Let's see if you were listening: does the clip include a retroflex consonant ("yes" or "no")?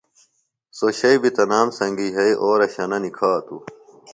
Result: no